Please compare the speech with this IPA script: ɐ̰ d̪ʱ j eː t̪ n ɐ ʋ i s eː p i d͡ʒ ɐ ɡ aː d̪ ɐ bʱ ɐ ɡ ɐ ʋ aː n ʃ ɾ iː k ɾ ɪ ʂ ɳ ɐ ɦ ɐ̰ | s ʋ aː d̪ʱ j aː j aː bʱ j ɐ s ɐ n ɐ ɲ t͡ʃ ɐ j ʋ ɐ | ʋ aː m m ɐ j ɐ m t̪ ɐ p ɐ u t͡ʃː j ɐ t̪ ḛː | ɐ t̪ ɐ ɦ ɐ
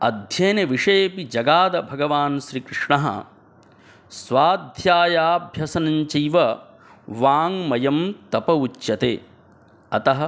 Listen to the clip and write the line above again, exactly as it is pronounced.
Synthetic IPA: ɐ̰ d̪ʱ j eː n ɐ ʋ i ʂ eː p i d͡ʒ ɐ ɡ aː d̪ ɐ bʱ ɐ ɡ ɐ ʋ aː n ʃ ɾ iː k ɾ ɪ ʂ ɳ ɐ ɦ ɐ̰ | s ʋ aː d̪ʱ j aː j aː bʱ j ɐ s ɐ n ɐ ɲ t͡ʃ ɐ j ʋ ɐ | ʋ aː ŋ m ɐ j ɐ m t̪ ɐ p ɐ u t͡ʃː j ɐ t̪ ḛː | ɐ t̪ ɐ ɦ ɐ

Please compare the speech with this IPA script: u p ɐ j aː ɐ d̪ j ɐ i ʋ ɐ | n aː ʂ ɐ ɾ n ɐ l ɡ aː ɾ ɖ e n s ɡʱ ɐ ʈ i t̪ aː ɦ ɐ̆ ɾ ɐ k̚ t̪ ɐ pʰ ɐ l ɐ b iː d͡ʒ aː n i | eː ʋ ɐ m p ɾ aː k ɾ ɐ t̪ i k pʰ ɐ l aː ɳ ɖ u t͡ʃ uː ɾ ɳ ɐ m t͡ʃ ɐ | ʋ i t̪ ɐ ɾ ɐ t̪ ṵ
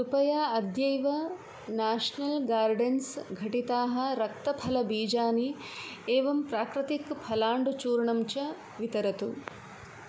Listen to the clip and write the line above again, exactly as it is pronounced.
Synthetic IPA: u p ɐ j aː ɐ d̪ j ɐ j ʋ ɐ | n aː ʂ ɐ n ɐ l ɡ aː ɾ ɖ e n s ɡʱ ɐ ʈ i t̪ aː ɦ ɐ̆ ɾ ɐ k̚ t̪ ɐ pʰ ɐ l ɐ b iː d͡ʒ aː n i | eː ʋ ɐ m p ɾ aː k ɾ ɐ t̪ i k pʰ ɐ l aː ɳ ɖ u t͡ʃ uː ɾ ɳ ɐ m t͡ʃ ɐ | ʋ i t̪ ɐ ɾ ɐ t̪ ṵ

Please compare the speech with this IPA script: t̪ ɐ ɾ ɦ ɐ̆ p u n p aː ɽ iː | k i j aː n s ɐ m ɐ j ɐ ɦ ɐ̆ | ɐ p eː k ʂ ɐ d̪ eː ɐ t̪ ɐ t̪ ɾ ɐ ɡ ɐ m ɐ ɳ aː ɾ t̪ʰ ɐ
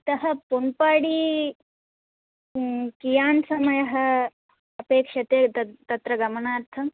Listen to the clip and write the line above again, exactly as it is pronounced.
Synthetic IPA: t̪ ɐ ɦ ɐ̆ p u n p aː ɽ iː | k i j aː n s ɐ m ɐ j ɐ ɦ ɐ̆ | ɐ p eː k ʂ ɐ t̪ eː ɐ t̪ ɐ t̪ ɾ ɐ ɡ ɐ m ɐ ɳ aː ɾ t̪ʰ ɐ

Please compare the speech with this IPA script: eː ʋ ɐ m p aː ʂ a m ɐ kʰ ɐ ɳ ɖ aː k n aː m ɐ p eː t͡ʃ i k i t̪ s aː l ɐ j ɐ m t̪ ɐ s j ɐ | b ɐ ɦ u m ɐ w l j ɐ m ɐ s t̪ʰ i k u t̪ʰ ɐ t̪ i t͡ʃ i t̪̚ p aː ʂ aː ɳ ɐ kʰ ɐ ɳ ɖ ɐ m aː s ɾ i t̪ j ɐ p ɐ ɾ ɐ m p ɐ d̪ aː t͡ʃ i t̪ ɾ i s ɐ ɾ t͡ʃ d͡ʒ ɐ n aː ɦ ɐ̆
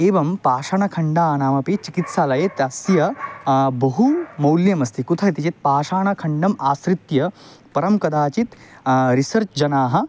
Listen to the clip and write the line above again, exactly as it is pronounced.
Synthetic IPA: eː ʋ ɐ m p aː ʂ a ɳ ɐ kʰ ɐ ɳ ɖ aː n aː m ɐ p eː t͡ʃ i k i t̪ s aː l ɐ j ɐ t̪ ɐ s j ɐ | b ɐ ɦ u m ɐ w l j ɐ m ɐ s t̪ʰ i k u t̪ʰ ɐ t̪ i t͡ʃ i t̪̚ p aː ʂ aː ɳ ɐ kʰ ɐ ɳ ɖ ɐ m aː s ɾ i t̪ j ɐ p ɐ ɾ ɐ m k ɐ d̪ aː t͡ʃ i t̪ ɾ i s ɐ ɾ t͡ʃ d͡ʒ ɐ n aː ɦ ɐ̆

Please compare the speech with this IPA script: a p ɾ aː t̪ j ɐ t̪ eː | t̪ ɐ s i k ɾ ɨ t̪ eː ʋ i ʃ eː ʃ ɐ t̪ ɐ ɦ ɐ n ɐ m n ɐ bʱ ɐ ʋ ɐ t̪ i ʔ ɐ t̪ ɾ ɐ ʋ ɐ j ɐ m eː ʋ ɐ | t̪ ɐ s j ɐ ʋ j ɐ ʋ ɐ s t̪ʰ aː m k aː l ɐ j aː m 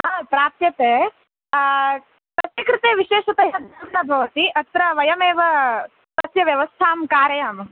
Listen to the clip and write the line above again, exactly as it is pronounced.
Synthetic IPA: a p ɾ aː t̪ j ɐ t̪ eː | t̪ ɐ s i k ɾ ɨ t̪ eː ʋ i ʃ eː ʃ ɐ t̪ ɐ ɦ ɐ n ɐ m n ɐ bʱ ɐ ʋ ɐ t̪ i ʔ ɐ t̪ ɾ ɐ ʋ ɐ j ɐ m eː ʋ ɐ | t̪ ɐ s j ɐ ʋ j ɐ ʋ ɐ s t̪ʰ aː m k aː ɾ ɐ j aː m

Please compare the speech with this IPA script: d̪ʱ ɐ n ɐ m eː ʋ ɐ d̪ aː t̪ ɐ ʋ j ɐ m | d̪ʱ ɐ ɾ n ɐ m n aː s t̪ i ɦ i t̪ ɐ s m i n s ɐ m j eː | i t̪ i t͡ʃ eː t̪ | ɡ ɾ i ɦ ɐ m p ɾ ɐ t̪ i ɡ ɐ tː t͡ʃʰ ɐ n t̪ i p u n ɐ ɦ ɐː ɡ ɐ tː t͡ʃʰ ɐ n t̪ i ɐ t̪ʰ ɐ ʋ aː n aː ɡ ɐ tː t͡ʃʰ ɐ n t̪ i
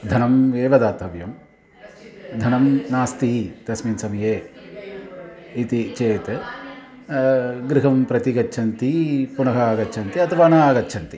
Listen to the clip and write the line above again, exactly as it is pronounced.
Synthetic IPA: d̪ʱ ɐ n ɐ m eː ʋ ɐ d̪ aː t̪ ɐ ʋ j ɐ m | d̪ʱ ɐ n ɐ m n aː s t̪ i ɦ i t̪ ɐ s m i n s ɐ m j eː | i t̪ i t͡ʃ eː t̪ | ɡ ɾ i ɦ ɐ m p ɾ ɐ t̪ i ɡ ɐ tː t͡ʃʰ ɐ n t̪ i p u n ɐ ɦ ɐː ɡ ɐ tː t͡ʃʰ ɐ n t̪ i ɐ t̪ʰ ɐ ʋ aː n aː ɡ ɐ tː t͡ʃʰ ɐ n t̪ i

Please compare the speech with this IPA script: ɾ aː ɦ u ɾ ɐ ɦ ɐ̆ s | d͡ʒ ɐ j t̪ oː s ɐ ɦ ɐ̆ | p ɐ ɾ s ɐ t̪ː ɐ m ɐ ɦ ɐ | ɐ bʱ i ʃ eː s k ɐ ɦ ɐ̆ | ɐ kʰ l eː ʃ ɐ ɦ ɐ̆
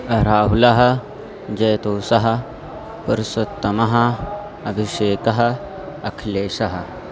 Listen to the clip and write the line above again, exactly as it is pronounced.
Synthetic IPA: ɾ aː ɦ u l ɐ ɦ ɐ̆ | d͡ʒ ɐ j t̪ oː s ɐ ɦ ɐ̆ | p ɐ ɾ s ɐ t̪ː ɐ m ɐ ɦ ɐ | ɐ bʱ i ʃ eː k ɐ ɦ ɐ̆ | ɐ kʰ l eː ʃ ɐ ɦ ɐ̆

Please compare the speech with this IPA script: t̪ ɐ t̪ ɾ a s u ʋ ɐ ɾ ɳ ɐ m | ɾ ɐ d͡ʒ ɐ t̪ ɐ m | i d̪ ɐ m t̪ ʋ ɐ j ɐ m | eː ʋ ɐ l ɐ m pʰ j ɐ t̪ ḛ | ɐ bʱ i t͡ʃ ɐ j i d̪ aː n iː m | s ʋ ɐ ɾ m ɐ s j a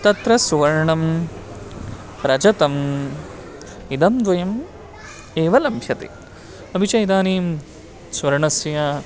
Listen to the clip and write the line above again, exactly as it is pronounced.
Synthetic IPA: t̪ ɐ t̪ ɾ ɐ s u ʋ ɐ ɾ ɳ ɐ m | ɾ ɐ d͡ʒ ɐ t̪ ɐ m | i d̪ ɐ m d̪ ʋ ɐ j ɐ m | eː ʋ ɐ l ɐ m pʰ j ɐ t̪ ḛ | ɐ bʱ i t͡ʃ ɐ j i d̪ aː n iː m | s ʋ ɐ ɾ ɳ ɐ s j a

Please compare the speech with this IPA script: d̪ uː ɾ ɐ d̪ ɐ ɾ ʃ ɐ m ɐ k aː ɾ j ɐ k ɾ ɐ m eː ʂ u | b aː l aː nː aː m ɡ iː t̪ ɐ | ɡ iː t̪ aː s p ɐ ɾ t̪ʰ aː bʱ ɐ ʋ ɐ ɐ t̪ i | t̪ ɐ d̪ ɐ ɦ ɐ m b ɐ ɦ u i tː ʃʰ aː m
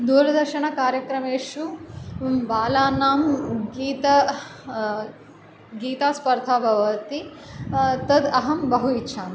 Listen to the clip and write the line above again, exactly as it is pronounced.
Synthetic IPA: d̪ uː ɾ ɐ d̪ ɐ ɾ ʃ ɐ ɳ ɐ k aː ɾ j ɐ k ɾ ɐ m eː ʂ u | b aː l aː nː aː m ɡ iː t̪ ɐ | ɡ iː t̪ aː s p ɐ ɾ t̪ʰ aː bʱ ɐ ʋ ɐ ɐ t̪ i | t̪ ɐ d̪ ɐ ɦ ɐ m b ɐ ɦ u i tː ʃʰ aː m

